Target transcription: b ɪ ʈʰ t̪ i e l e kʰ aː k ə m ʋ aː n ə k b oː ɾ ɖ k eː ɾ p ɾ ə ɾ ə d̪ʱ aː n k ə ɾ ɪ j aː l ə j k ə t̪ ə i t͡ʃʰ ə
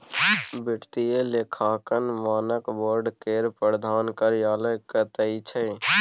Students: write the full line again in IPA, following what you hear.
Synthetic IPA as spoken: b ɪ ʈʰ t̪ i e l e kʰ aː k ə n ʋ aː n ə k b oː ɾ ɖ k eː ɾ p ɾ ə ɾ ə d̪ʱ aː n k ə ɾ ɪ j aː l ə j k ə t̪ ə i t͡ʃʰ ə

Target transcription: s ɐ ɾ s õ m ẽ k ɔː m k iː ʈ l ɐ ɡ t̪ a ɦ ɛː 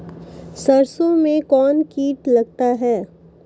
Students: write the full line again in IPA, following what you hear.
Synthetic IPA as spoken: s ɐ ɾ s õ m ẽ k ɔː n k iː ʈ l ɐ ɡ t̪ a ɦ ɛː

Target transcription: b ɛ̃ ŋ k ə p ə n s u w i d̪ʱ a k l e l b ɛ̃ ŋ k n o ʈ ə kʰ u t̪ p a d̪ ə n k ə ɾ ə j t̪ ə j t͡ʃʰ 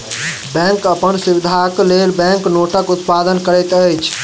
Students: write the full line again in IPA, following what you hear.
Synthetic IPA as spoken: b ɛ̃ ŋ k ə p ə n s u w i d̪ʱ a k l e l b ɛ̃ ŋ k n o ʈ ə k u t̪ p a d̪ ə n k ə ɾ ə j t̪ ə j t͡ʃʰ

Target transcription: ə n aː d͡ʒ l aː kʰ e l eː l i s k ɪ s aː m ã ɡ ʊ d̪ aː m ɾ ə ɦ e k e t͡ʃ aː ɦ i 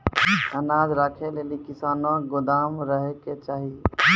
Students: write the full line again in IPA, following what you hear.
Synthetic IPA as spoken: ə n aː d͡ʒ ɾ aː kʰ e l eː l i k ɪ s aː n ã ɡ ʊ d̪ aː m ɾ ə ɦ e k e t͡ʃ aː ɦ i

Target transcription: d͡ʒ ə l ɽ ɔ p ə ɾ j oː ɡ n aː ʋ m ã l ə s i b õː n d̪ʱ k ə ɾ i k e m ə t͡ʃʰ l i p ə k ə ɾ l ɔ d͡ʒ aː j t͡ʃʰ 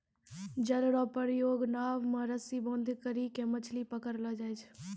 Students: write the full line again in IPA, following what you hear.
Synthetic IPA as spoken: d͡ʒ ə l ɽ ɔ p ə ɾ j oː ɡ n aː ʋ m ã ɾ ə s i b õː n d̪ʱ k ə ɾ i k e m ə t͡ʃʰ l i p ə k ə ɾ l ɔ d͡ʒ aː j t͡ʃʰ

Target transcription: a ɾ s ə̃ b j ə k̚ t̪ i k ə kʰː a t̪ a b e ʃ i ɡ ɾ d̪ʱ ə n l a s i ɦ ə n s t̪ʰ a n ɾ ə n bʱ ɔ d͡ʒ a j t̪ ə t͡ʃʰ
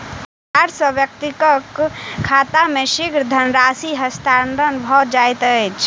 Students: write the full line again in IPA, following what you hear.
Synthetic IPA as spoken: a ɾ s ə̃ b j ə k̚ t̪ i k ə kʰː a t̪ a m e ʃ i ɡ ɾ d̪ʱ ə n ɾ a s i ɦ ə s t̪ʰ a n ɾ ə n bʱ ɔ d͡ʒ a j t̪ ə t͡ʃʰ

